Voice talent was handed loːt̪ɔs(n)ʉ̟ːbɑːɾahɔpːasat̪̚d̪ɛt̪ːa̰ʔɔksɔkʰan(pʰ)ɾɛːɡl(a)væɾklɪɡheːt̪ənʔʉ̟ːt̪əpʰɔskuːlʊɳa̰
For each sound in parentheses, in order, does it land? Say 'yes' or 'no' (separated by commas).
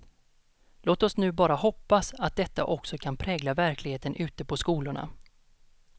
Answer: yes, yes, yes